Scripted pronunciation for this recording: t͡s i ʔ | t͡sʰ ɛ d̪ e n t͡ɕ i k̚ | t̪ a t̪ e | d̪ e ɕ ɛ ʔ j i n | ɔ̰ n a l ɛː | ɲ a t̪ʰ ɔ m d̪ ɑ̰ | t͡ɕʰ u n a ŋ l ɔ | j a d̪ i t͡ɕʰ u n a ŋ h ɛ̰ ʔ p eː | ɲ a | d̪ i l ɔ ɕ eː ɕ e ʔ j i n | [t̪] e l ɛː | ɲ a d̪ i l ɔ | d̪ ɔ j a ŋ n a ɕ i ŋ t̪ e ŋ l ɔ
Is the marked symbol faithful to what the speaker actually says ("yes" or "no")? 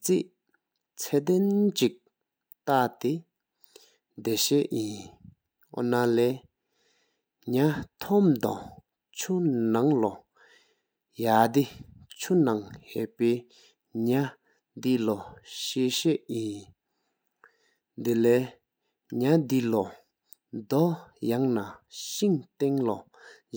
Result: no